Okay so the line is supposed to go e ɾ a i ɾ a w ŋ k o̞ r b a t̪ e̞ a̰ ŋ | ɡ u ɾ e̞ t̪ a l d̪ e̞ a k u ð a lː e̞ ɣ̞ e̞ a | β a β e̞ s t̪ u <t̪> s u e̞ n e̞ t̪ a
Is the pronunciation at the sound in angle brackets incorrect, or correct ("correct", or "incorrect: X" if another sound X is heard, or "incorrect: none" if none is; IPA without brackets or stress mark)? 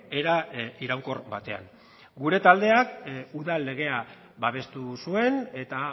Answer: incorrect: none